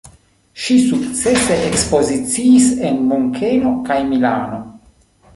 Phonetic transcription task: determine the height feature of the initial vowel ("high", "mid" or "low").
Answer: high